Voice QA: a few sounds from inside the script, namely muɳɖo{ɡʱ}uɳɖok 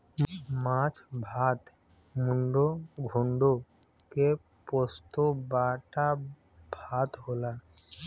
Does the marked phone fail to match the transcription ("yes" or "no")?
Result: no